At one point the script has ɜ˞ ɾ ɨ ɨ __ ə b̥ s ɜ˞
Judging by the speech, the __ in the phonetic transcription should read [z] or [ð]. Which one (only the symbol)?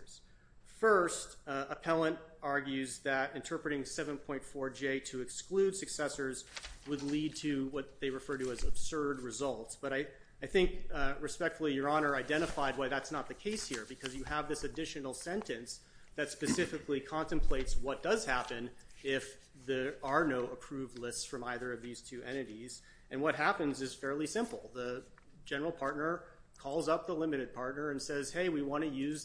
z